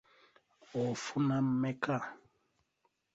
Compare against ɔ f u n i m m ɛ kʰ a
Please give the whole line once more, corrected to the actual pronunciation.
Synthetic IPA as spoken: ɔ f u n a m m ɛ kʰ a